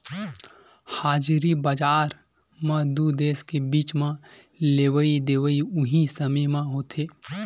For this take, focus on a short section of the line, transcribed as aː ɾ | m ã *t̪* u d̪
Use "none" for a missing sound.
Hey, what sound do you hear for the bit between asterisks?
d̪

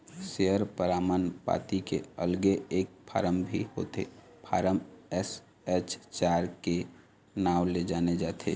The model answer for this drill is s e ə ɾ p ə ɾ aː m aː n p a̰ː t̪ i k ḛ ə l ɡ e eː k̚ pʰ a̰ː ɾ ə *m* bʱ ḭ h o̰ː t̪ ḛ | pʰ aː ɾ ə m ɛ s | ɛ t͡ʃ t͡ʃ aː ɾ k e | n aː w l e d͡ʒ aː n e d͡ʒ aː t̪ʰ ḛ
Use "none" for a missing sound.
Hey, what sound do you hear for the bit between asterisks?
m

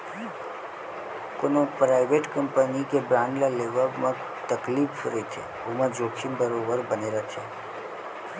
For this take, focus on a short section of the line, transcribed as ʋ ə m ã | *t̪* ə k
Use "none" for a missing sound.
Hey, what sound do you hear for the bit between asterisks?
t̪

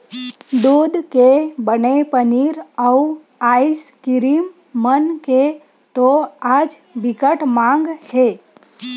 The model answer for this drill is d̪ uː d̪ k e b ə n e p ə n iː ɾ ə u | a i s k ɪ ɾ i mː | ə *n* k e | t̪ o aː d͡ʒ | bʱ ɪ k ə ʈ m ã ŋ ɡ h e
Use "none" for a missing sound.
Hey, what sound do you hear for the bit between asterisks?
n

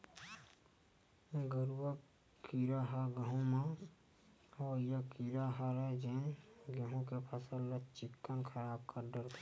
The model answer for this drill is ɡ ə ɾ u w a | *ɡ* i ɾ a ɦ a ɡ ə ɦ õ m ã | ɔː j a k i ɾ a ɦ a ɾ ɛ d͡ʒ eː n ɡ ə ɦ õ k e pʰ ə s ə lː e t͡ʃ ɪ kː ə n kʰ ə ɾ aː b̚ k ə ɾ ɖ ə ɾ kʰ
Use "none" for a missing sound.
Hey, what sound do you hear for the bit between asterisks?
k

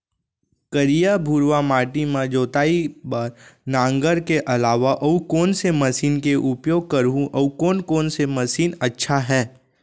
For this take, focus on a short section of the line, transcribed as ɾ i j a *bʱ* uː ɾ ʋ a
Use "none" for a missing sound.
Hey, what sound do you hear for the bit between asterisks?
bʱ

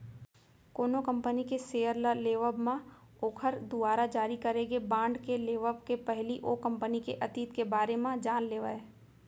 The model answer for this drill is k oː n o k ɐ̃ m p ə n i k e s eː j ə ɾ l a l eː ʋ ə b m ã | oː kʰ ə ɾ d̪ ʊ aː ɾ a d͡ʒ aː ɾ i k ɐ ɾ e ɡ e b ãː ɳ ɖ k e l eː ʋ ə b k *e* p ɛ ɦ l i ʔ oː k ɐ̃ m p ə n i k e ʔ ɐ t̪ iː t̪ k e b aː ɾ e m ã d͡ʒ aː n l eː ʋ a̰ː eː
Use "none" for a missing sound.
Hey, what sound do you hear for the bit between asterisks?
e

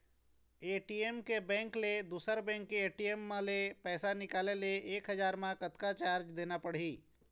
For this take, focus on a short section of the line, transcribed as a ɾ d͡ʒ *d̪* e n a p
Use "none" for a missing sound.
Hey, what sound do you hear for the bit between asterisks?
d̪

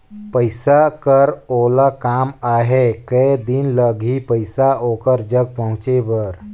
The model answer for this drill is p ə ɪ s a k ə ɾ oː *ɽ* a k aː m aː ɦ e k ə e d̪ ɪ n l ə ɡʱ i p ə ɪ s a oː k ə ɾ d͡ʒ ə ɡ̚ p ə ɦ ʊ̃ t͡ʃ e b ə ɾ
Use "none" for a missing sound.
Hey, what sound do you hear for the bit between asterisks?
l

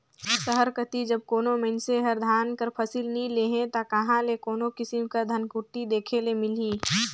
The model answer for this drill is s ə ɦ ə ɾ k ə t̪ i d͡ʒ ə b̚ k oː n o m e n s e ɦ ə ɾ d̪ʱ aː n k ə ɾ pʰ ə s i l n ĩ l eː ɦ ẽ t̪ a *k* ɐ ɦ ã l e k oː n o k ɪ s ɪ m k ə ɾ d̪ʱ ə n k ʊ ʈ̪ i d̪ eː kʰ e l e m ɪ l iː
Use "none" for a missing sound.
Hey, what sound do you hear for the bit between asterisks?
k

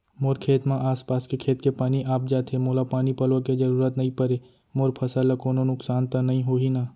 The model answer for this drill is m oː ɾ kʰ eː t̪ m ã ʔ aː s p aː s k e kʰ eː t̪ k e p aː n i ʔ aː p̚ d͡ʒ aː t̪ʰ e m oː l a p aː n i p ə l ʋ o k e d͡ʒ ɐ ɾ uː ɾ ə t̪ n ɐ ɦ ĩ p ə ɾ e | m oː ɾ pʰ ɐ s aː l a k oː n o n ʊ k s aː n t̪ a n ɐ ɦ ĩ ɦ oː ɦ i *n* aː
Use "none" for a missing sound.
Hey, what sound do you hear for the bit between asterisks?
n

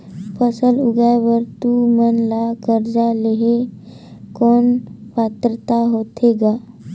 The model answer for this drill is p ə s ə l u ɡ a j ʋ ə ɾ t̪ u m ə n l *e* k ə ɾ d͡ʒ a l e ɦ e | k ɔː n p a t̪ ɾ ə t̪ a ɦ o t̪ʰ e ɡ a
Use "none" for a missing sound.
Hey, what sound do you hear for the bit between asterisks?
a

